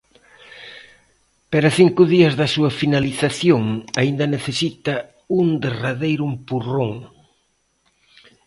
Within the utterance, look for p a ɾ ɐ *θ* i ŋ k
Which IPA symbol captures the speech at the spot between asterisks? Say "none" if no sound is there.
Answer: θ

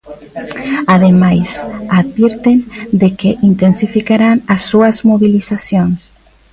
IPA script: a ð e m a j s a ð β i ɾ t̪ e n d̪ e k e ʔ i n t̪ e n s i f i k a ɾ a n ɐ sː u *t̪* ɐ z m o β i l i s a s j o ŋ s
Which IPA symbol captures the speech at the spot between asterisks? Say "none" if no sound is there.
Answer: none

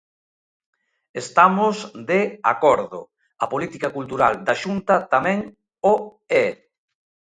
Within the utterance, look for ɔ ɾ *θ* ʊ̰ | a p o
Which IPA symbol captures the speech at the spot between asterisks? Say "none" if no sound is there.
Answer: ð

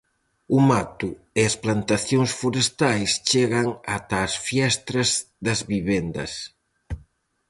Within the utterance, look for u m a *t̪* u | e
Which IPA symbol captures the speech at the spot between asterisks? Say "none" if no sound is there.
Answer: t̪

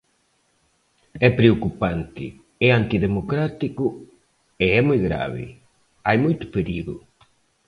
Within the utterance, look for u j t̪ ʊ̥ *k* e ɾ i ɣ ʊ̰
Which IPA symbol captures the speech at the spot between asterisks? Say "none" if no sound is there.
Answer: p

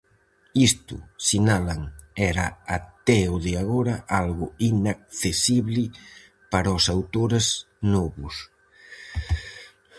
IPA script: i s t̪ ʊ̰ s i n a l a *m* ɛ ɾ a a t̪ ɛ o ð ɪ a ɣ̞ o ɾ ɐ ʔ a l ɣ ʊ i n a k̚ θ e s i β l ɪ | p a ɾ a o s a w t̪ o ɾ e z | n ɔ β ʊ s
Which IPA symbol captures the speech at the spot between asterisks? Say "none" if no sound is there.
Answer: ŋ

